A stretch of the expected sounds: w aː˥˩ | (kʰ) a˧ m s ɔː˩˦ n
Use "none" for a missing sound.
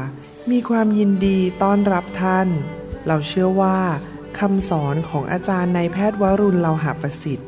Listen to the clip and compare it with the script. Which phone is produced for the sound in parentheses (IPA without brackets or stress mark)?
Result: kʰ